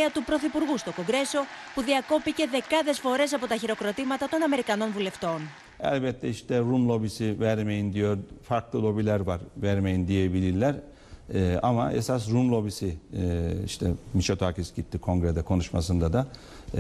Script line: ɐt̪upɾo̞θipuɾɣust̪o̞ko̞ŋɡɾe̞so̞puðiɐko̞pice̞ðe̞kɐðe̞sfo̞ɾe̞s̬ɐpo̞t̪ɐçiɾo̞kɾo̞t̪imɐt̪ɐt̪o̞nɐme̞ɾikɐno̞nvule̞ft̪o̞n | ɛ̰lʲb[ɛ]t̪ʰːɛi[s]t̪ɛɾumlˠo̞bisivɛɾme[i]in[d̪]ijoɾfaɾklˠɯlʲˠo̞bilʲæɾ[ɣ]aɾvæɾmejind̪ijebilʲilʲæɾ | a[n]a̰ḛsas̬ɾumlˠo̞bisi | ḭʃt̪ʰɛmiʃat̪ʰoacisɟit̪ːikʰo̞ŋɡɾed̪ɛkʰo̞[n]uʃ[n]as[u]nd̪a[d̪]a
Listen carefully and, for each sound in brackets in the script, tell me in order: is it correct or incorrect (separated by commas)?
correct, incorrect, incorrect, correct, incorrect, incorrect, correct, incorrect, incorrect, correct